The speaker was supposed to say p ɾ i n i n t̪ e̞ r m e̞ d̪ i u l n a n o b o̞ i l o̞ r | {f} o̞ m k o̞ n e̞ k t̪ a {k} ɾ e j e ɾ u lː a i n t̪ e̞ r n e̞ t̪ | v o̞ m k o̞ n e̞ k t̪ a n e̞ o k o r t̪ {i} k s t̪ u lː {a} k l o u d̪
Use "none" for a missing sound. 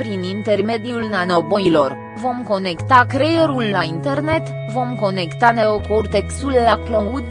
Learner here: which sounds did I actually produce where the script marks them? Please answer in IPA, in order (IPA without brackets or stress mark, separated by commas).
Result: v, k, e, a